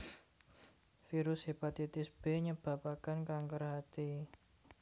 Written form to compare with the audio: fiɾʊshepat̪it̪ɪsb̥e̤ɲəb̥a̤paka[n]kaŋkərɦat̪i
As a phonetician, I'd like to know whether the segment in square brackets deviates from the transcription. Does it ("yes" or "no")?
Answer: no